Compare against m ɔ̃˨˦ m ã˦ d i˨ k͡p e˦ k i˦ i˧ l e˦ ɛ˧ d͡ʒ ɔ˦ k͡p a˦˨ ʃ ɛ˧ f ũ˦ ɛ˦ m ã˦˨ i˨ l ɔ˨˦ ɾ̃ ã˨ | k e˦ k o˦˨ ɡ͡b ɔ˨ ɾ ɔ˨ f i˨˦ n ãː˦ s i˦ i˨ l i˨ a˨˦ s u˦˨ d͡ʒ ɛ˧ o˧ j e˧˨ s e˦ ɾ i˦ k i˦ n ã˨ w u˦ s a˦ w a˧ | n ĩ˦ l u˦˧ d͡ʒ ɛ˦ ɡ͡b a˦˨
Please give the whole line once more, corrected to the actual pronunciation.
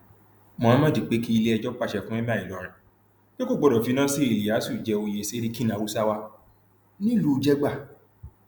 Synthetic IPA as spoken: m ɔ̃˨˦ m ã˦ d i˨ k͡p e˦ k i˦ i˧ l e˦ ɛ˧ d͡ʒ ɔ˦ k͡p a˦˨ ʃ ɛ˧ f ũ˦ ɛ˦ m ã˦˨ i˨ l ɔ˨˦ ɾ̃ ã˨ | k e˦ k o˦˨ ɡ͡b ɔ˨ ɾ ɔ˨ f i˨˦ n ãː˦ s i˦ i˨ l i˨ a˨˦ s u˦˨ d͡ʒ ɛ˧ o˧ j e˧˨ s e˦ ɾ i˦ k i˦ n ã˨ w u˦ s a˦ w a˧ | n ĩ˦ l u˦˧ d͡ʒ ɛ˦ ɡ͡b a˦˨

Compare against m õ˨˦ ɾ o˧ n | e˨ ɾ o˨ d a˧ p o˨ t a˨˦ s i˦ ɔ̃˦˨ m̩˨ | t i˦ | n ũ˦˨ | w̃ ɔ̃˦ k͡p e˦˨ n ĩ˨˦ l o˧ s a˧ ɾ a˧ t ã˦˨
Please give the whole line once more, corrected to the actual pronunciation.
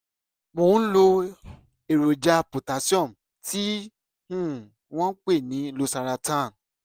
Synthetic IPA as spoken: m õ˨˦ l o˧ | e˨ ɾ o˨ d͡ʒ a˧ p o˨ t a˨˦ s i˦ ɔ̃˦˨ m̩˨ | t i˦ | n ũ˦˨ | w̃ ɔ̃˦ k͡p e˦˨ n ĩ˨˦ l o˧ s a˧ ɾ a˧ t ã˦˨

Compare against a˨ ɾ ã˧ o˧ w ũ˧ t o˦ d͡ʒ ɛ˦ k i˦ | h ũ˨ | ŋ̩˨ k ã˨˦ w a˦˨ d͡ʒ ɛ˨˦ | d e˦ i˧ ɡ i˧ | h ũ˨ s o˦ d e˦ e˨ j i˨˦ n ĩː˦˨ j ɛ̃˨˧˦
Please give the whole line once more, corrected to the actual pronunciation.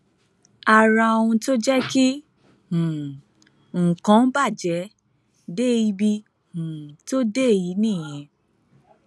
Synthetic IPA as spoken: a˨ ɾ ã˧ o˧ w ũ˧ t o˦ d͡ʒ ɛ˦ k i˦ | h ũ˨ | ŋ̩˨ k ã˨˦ b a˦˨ d͡ʒ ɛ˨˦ | d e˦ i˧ b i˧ | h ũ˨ t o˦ d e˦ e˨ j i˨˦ n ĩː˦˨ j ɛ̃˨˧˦

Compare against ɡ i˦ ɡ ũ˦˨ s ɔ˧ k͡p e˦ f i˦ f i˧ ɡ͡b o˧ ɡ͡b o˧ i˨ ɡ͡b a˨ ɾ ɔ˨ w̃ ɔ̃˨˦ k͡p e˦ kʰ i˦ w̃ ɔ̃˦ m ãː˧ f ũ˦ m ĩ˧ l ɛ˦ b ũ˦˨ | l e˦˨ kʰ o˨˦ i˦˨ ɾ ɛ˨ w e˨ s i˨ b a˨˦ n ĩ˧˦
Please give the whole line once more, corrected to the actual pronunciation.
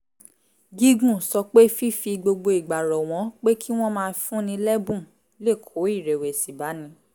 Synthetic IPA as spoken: ɡ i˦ ɡ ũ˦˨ s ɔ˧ k͡p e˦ f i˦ f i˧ ɡ͡b o˧ ɡ͡b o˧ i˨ ɡ͡b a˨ ɾ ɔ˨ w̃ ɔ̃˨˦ k͡p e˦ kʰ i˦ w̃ ɔ̃˦ m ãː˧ f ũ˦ n ĩ˧ l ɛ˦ b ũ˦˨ | l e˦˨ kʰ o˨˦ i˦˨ ɾ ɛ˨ w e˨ s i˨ b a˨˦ n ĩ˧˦

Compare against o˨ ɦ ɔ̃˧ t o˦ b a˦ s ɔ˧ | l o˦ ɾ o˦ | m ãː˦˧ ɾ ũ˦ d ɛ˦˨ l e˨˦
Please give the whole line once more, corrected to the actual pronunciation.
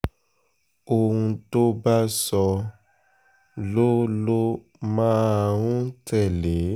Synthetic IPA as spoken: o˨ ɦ ũ˧ t o˦ b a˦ s ɔ˧ | l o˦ l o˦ | m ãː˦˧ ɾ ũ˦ t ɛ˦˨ l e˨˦

